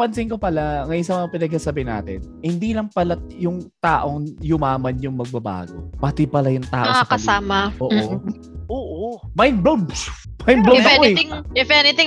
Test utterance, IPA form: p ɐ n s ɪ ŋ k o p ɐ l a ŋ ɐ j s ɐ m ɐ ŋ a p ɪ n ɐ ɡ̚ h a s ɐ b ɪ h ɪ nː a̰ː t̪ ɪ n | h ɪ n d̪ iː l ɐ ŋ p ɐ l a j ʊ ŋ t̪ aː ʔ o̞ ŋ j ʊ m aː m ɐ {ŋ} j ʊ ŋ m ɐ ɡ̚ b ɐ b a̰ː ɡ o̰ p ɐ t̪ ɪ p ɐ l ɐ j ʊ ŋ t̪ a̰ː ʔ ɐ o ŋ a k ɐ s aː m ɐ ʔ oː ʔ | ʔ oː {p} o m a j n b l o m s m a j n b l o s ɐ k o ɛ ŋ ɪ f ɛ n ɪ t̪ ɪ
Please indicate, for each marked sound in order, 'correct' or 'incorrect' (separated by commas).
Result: incorrect, incorrect